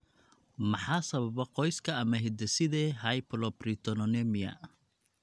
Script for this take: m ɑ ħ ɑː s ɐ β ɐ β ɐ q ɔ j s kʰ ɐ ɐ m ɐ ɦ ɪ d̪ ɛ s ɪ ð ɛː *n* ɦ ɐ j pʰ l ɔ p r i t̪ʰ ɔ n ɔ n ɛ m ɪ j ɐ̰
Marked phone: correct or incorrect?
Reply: incorrect